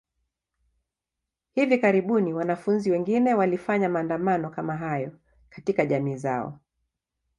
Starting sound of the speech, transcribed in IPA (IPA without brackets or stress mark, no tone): h